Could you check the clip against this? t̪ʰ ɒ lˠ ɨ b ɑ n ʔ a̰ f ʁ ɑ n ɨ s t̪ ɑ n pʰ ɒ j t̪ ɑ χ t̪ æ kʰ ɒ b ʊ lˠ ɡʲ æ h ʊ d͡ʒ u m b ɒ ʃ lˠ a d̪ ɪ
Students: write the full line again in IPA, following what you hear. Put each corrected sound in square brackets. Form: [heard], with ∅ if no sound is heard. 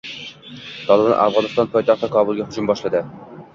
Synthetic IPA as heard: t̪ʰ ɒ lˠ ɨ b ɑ n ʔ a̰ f ʁ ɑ n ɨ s t̪ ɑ n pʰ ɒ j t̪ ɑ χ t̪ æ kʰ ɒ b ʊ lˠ ɡʲ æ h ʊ d͡ʒ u m b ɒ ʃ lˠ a d̪ ɪ